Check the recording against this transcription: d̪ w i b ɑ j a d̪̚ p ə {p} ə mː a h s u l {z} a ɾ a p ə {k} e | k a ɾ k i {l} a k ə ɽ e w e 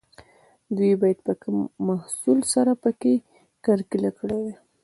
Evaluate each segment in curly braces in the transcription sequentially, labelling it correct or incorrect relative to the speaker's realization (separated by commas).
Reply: incorrect, incorrect, correct, correct